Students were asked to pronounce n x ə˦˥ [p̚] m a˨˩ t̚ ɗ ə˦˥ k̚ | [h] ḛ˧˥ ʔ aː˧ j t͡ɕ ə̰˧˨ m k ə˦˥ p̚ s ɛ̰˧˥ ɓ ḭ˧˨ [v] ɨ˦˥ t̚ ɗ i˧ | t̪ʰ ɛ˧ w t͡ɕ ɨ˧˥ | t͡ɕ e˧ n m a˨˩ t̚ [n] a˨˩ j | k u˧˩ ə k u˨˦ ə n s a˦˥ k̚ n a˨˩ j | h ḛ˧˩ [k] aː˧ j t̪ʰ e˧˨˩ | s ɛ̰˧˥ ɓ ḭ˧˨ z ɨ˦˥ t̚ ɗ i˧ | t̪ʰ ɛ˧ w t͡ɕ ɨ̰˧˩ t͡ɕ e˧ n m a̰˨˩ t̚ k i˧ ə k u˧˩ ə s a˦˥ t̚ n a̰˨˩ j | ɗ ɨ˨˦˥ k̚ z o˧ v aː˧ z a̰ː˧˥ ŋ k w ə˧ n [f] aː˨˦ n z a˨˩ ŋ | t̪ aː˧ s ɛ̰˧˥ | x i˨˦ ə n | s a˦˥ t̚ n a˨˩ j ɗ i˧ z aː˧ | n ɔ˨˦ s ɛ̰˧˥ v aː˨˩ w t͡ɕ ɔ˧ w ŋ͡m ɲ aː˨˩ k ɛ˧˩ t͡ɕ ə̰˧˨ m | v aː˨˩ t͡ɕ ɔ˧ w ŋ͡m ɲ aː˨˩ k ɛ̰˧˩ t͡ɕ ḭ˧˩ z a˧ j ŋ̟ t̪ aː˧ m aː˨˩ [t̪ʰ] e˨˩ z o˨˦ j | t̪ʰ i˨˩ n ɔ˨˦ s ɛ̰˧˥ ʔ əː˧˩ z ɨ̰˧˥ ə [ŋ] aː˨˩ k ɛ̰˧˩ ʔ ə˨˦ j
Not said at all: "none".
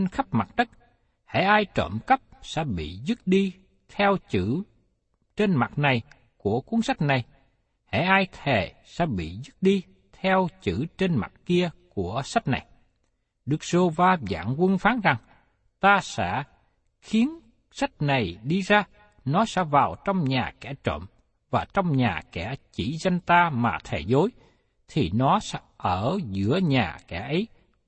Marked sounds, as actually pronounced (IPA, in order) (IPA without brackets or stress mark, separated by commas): p̚, h, z, n, ʔ, f, t̪ʰ, ɲ